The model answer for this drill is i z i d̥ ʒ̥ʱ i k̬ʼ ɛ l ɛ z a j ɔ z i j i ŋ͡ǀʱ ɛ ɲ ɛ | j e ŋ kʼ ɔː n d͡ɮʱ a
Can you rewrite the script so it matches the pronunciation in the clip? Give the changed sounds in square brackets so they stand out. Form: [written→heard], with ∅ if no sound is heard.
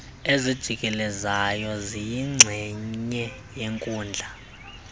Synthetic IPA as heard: [i→e] z i d̥ ʒ̥ʱ i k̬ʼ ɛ l ɛ z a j ɔ z i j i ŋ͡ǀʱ ɛ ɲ ɛ | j e ŋ kʼ [ɔː→uː] n d͡ɮʱ a